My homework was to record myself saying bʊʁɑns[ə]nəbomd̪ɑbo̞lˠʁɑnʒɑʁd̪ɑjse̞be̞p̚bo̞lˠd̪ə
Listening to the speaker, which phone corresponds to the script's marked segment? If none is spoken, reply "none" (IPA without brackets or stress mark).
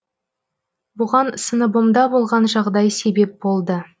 ə